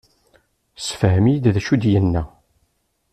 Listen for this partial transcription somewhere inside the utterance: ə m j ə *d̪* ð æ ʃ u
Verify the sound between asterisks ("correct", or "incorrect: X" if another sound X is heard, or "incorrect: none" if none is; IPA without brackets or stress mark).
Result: correct